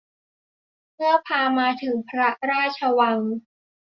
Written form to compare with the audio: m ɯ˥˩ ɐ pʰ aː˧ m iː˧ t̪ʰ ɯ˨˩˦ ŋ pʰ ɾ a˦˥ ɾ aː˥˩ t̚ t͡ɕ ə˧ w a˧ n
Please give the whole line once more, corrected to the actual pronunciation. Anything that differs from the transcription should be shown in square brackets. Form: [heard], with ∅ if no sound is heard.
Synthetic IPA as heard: m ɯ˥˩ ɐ pʰ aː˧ m [aː˧] t̪ʰ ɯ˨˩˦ ŋ pʰ ɾ a˦˥ ɾ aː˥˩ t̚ [t͡ɕʰ] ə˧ w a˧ [ŋ]